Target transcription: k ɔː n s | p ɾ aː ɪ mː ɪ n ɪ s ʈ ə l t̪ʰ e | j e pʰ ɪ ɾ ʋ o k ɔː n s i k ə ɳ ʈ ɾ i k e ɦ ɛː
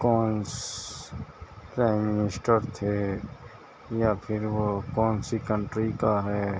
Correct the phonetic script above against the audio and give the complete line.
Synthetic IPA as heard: k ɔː n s | p ɾ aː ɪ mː ɪ n ɪ s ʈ ə ɾ t̪ʰ e | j a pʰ ɪ ɾ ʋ o k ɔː n s i k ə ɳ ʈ ɾ i k a ɦ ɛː